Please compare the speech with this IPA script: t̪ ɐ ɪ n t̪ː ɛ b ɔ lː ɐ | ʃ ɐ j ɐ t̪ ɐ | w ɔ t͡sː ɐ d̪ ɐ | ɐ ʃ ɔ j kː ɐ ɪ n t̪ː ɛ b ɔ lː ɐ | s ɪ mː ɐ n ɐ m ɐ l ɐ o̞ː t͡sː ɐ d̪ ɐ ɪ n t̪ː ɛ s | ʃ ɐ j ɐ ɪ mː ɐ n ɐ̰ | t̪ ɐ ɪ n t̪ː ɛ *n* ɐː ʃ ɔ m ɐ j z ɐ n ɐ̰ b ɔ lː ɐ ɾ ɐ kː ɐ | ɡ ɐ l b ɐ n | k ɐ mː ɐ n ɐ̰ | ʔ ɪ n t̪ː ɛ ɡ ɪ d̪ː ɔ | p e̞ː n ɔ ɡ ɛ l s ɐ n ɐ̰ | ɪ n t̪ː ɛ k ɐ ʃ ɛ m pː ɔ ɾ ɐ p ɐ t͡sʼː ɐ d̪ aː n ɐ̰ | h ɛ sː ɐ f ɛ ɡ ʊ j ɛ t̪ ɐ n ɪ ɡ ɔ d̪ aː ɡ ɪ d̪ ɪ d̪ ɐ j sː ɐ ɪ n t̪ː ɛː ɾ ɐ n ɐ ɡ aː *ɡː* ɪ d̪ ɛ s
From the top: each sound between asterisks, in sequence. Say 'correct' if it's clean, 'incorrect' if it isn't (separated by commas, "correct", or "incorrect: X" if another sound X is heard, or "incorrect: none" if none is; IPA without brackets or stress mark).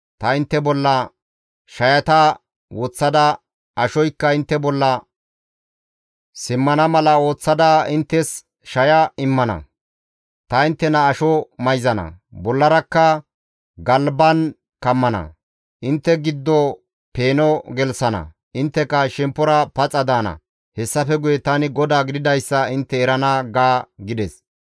correct, incorrect: ɡ